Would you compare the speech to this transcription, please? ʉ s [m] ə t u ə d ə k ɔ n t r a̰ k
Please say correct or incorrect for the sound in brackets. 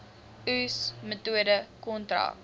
correct